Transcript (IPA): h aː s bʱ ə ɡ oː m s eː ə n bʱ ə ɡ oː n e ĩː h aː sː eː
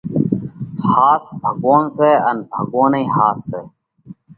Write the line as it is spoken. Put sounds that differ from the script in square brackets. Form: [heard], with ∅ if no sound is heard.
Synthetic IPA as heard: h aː s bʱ ə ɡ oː [n] s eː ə n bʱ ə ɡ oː n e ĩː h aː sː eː